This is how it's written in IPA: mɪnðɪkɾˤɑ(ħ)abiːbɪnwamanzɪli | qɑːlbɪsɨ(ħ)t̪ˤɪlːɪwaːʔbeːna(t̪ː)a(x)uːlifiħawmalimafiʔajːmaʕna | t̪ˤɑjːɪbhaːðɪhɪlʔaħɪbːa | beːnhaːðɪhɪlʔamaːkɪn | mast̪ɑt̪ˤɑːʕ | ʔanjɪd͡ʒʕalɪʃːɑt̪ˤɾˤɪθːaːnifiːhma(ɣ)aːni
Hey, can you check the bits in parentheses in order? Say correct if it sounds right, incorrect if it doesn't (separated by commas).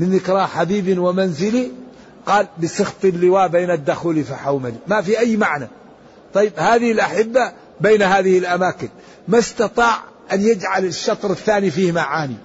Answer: correct, incorrect, incorrect, correct, incorrect